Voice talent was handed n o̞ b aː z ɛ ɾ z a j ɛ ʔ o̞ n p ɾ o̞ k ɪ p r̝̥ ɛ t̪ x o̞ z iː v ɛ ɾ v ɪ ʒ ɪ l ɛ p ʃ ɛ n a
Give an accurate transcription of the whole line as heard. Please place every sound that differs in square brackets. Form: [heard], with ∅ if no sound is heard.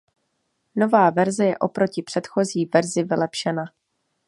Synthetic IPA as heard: n o̞ [v] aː [v] ɛ ɾ z [ɛ] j ɛ ʔ o̞ [∅] p ɾ o̞ [c] ɪ p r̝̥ ɛ t̪ x o̞ z iː v ɛ ɾ [z] ɪ [v] ɪ l ɛ p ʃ ɛ n a